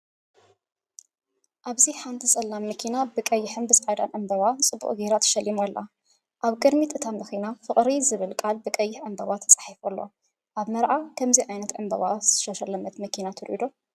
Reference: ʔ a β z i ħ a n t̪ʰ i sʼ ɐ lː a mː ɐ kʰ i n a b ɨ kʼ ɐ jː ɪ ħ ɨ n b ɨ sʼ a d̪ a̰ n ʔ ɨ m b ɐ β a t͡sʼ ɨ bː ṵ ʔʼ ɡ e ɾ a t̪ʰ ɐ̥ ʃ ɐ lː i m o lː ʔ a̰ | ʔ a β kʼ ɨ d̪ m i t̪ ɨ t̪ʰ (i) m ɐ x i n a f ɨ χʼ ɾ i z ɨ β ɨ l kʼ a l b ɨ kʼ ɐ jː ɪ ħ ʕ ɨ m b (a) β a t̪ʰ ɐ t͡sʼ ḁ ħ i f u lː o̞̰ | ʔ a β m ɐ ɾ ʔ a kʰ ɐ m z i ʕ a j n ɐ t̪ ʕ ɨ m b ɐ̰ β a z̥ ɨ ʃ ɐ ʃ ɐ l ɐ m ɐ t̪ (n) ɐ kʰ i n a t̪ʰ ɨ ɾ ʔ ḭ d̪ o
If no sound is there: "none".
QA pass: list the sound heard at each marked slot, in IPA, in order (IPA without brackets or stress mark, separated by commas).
a, ɐ, m